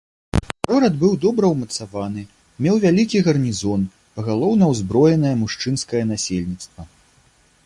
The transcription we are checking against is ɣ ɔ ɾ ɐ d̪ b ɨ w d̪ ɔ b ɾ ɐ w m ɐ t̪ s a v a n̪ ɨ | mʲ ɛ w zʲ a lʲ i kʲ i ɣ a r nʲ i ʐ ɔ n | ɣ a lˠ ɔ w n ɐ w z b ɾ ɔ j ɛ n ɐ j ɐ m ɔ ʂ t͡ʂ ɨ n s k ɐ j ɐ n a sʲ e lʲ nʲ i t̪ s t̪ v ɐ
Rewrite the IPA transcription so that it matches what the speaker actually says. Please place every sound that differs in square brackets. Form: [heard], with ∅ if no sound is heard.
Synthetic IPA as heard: ɣ ɔ ɾ ɐ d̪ b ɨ w d̪ ɔ b ɾ ɐ w m ɐ t̪ s a v a n̪ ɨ | mʲ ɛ w [vʲ] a lʲ i kʲ i ɣ [ɐ] r nʲ i [z] ɔ n | ɣ a lˠ ɔ w n ɐ w z b ɾ ɔ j ɛ n ɐ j ɐ m [u] ʂ t͡ʂ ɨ n s k ɐ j ɐ n a sʲ e lʲ nʲ i t̪ s t̪ v ɐ